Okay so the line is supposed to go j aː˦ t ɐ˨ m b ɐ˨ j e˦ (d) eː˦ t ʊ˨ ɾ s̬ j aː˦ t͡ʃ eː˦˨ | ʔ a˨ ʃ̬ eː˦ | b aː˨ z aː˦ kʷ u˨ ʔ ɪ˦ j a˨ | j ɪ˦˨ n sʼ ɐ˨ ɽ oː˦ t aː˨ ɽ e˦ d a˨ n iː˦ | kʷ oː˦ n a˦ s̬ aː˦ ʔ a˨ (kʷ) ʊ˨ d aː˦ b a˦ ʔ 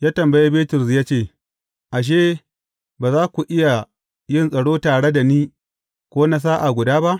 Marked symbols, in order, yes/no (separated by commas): no, no